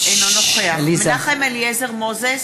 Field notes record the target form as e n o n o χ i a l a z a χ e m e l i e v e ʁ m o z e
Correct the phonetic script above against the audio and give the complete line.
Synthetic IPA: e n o n o χ e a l i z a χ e m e l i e z e ʁ m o z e